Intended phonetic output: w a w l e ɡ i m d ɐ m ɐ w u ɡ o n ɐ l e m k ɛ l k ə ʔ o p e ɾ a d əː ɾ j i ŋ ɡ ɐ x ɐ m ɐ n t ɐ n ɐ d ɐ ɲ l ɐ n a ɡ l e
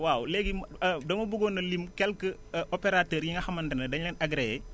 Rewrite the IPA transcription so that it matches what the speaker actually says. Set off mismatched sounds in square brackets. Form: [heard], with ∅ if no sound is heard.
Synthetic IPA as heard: w a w l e ɡ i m d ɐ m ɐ [b] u ɡ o n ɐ l [i] m k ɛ l k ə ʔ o p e ɾ a [t] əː ɾ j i ŋ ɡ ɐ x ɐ m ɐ n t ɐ n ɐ d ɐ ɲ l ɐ n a ɡ [ɾ] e

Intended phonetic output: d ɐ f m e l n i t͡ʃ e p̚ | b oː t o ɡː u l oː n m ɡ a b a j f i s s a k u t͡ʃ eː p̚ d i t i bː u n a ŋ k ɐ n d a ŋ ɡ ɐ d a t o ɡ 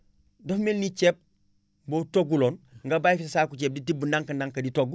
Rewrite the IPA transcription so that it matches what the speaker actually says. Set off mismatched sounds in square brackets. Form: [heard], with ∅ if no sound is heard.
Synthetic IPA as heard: d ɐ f m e l n i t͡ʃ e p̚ | b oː t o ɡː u l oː n [ŋ] ɡ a b a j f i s s a k u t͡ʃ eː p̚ d i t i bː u n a ŋ k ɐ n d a ŋ [k] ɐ d [i] t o ɡ

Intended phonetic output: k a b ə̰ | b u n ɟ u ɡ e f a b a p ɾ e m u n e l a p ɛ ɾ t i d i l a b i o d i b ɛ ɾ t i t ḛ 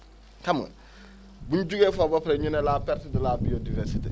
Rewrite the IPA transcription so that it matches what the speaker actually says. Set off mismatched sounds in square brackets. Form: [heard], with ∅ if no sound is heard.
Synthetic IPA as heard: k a [m] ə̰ | b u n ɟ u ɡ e f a b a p ɾ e [ɲ] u n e l a p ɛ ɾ t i d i l a b i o d i [v] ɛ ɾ [s] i t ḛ

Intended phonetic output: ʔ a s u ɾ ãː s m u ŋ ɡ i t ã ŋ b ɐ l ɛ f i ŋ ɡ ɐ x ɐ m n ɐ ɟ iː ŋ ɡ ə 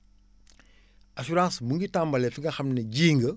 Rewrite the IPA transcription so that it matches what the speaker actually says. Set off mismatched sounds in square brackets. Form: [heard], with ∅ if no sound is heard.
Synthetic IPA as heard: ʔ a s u ɾ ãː s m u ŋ ɡ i t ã [m] b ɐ l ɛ f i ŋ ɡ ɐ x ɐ m n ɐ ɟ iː ŋ ɡ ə

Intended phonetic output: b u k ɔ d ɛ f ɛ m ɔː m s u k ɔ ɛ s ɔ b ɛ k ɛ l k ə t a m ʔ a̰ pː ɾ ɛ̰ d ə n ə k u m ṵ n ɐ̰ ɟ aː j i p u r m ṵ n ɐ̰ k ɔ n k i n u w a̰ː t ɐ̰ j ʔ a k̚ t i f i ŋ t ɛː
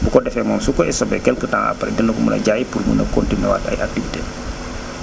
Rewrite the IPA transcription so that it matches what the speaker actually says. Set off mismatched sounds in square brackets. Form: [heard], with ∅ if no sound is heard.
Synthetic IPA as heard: b u k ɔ d ɛ f ɛ m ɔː m s u k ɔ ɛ s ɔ b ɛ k ɛ l k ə t a [ŋ] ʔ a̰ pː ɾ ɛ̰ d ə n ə k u m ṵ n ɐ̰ ɟ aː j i p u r m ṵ n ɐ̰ k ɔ n [t] i n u w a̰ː t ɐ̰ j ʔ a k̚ t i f i [∅] t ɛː

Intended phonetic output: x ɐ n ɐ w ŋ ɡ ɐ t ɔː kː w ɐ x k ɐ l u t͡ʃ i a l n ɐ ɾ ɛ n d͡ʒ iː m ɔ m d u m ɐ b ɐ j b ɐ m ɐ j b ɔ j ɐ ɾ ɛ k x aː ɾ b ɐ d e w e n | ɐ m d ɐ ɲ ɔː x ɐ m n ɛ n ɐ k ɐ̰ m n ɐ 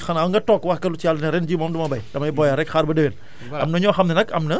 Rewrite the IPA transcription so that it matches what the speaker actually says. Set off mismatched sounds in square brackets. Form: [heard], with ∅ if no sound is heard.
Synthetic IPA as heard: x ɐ n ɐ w ŋ ɡ ɐ t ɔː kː w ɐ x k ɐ l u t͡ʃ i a l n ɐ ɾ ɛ n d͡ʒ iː m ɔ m d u m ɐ b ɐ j [d] ɐ m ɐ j b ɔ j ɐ ɾ ɛ k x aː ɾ b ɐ d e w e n | ɐ m [n] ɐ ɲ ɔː x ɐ m n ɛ n ɐ k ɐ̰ m n ɐ

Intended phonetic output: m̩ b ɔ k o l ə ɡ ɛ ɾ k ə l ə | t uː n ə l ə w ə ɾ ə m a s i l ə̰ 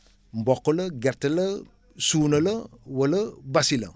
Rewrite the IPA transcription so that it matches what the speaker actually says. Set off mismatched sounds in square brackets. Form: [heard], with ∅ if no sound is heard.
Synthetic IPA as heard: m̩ b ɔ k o l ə ɡ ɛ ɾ [t] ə l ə | [s] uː n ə l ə w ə [l] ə [b] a s i l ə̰

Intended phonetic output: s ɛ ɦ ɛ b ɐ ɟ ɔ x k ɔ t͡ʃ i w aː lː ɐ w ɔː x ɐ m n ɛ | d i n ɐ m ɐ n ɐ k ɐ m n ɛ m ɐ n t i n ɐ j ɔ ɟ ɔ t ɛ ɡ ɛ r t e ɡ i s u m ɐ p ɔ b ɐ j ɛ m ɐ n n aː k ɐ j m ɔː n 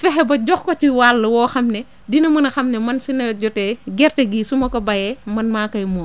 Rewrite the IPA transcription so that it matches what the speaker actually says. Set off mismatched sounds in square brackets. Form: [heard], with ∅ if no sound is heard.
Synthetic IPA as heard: [f] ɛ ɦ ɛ b ɐ ɟ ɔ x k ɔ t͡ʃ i w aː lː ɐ w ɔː x ɐ m n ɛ | d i n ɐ m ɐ n ɐ [x] ɐ m n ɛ m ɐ n [s] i n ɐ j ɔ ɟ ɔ t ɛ ɡ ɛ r t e ɡ i s u m ɐ [k] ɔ b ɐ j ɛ m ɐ n [m] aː k ɐ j m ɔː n

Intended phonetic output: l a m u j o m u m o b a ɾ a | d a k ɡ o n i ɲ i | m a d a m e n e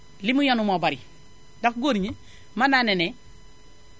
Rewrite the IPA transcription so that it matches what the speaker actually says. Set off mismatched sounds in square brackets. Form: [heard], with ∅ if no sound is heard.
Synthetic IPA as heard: l [i] m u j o [n] u m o b a ɾ [i] | d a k ɡ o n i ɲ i | m a [n] a [n] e n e

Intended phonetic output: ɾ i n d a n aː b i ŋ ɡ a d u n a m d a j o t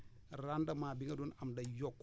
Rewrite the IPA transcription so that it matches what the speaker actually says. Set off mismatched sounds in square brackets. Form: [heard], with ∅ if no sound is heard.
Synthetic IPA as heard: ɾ [a] n d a [m] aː b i ŋ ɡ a d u n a m d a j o [k]

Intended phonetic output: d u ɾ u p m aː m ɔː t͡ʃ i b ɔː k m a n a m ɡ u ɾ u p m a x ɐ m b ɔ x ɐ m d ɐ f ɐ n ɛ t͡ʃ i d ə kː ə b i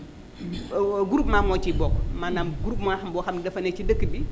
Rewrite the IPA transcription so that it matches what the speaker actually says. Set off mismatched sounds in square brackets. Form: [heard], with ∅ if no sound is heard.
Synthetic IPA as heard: [ɡ] u ɾ u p m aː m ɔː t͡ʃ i b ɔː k m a n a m ɡ u ɾ u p m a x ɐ m b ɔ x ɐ m d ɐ f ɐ n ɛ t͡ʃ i d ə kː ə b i

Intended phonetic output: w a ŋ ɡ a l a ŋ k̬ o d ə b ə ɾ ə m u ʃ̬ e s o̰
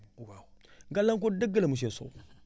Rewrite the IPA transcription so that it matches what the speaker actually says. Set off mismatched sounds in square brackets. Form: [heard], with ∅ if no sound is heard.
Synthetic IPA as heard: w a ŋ ɡ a l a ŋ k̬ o d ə [ɡ] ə [l] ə m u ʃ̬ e s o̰

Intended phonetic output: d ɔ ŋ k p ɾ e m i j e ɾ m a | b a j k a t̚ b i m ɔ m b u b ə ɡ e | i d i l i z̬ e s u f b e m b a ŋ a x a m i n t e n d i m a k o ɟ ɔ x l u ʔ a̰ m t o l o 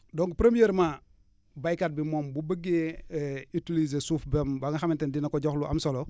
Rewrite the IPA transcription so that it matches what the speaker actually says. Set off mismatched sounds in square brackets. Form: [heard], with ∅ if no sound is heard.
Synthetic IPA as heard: d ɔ ŋ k p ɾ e m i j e ɾ m a | b a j k a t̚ b i m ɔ m b u b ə ɡ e | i [t] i l i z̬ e s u f b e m b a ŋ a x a m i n t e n d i [n] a k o ɟ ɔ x l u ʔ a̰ m [s] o l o

